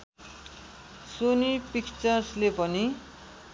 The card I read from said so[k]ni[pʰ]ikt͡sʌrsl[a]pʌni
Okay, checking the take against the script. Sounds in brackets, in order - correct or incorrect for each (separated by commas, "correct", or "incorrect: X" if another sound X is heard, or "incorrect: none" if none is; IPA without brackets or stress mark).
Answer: incorrect: none, incorrect: p, incorrect: e